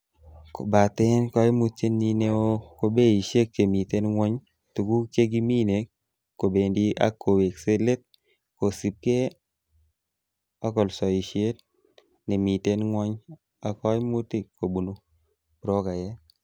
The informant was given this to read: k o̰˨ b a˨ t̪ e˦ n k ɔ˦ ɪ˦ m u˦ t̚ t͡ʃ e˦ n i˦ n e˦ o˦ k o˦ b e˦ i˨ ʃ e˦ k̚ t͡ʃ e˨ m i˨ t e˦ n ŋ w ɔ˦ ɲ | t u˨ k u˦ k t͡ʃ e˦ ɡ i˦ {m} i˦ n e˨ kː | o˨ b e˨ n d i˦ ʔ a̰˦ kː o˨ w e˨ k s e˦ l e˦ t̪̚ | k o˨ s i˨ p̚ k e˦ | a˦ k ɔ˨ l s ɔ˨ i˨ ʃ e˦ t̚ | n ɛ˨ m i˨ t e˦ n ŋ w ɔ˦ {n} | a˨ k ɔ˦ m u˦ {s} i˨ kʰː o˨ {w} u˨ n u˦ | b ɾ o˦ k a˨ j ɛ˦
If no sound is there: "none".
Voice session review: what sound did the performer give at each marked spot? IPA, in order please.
m, ɲ, t, b

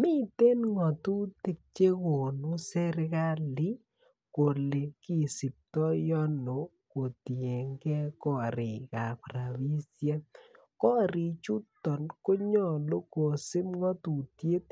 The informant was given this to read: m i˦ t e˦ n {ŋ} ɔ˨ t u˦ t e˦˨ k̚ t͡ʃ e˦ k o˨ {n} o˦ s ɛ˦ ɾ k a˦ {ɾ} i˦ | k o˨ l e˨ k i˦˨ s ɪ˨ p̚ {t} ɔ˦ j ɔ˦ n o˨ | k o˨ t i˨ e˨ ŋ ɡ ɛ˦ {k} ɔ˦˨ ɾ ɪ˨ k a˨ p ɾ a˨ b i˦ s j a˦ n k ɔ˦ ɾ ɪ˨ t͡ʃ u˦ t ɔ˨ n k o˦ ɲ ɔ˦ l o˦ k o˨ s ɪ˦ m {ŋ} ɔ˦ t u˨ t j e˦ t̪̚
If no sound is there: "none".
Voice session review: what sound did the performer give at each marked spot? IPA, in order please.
ŋ, n, l, t, k, ŋ

